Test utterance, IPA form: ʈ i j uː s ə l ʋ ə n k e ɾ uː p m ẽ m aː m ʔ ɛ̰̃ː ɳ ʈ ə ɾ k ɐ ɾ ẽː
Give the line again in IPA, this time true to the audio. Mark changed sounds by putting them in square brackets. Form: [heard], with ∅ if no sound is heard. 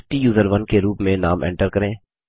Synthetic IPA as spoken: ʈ i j uː [z] ə [ɾ] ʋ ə n k e ɾ uː p m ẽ [n] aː m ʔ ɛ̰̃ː ɳ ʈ ə ɾ k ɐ ɾ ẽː